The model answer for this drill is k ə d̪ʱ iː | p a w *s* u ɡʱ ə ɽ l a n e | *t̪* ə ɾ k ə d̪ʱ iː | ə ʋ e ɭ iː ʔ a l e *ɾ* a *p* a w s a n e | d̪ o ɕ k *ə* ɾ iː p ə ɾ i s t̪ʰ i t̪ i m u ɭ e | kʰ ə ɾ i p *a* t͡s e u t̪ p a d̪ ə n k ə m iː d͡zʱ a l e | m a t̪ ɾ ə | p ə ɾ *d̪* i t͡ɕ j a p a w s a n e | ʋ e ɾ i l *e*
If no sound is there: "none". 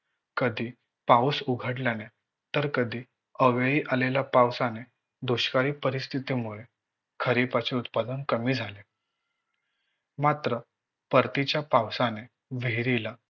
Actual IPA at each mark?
s, t̪, l, p, a, a, t̪, a

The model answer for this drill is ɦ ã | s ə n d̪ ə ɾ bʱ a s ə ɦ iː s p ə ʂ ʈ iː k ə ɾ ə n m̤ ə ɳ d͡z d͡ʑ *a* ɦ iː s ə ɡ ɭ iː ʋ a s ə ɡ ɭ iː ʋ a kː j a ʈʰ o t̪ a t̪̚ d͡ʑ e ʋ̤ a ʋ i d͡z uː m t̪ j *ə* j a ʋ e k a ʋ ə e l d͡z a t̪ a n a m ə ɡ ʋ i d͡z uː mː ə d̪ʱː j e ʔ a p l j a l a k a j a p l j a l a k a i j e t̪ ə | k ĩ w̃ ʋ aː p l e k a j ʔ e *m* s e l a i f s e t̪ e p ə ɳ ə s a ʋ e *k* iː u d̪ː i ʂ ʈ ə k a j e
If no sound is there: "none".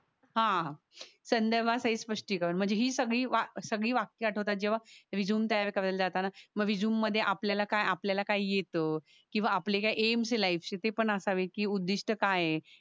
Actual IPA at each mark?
e, a, m, k

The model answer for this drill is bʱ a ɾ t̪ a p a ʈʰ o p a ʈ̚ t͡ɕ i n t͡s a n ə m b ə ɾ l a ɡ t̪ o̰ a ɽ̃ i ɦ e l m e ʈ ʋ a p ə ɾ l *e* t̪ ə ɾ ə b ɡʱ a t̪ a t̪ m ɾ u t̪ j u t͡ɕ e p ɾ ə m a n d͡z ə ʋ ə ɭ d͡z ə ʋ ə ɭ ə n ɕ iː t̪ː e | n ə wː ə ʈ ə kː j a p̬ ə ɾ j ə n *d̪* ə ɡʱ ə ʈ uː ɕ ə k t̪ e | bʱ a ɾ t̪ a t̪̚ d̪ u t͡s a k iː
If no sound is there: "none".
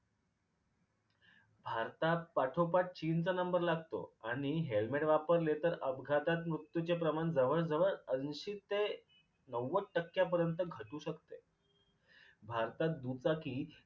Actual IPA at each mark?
e, t̪

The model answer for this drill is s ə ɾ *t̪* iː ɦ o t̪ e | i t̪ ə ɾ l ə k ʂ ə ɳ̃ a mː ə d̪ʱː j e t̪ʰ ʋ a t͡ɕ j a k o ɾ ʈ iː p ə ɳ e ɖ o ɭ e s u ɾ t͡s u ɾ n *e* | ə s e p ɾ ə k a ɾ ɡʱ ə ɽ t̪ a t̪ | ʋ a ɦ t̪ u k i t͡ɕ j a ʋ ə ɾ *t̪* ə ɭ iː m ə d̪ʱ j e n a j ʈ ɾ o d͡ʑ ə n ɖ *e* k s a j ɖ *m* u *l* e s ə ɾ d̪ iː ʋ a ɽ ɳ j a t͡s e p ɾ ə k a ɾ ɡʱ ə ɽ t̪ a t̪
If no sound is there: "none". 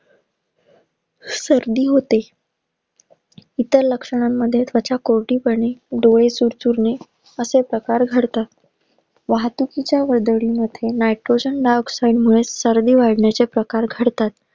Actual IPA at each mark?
d̪, e, d̪, a, m, ɭ

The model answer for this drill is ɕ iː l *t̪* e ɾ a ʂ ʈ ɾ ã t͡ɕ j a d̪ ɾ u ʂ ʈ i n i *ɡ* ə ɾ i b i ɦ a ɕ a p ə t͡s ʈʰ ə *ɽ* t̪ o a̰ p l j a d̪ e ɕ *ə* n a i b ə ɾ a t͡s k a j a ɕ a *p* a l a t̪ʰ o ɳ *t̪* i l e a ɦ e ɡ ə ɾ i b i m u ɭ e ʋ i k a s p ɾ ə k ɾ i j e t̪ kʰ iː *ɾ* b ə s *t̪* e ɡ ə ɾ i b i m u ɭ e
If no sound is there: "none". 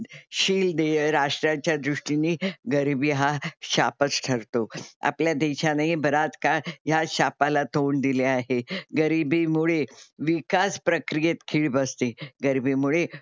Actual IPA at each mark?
d̪, ɡ, ɾ, a, p, d̪, ɭ, t̪

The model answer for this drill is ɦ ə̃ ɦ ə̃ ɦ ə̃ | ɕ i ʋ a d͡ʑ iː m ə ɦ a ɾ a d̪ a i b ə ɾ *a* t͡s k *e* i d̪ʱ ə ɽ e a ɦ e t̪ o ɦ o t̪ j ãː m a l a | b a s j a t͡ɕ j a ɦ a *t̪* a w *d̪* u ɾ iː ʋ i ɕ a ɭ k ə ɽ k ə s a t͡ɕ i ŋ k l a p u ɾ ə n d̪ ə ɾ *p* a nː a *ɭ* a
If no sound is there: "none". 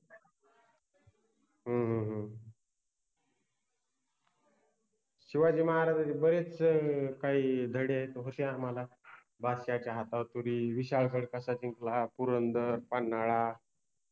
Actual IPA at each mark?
e, a, t̪, t̪, p, ɭ

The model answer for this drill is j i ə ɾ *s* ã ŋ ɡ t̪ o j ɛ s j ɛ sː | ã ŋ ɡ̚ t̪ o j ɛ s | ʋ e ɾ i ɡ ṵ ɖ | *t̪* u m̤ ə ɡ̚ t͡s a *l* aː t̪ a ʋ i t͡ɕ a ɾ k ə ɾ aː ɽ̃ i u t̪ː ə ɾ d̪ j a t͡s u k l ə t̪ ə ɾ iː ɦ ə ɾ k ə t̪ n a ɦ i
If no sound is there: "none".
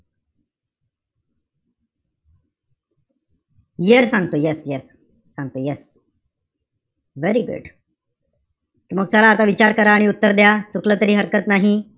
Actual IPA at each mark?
s, t̪, l

